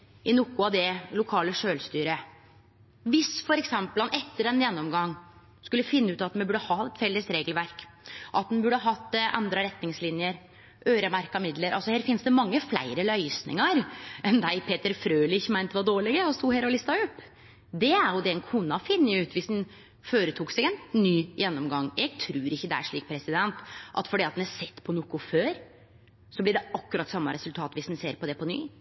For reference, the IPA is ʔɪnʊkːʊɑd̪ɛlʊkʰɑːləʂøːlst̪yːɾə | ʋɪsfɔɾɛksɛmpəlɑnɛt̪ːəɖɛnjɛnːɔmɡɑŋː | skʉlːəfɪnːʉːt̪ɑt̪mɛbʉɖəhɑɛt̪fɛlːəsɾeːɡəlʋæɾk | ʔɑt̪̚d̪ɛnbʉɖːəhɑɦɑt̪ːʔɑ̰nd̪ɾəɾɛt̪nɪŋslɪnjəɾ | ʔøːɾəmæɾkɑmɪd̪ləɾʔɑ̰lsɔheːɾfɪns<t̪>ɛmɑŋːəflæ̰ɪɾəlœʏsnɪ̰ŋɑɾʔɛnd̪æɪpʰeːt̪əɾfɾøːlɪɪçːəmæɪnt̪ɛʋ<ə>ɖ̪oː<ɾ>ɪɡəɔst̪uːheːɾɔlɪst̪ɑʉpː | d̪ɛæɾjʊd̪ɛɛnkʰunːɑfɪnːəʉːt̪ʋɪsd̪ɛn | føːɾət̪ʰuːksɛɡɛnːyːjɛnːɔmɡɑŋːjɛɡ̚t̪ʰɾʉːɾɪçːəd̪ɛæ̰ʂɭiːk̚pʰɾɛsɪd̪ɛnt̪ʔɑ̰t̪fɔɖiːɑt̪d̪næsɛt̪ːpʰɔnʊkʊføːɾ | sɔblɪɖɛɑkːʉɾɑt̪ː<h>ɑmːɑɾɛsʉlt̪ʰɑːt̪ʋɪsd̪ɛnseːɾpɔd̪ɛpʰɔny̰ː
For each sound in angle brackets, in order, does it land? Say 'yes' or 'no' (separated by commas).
no, no, no, no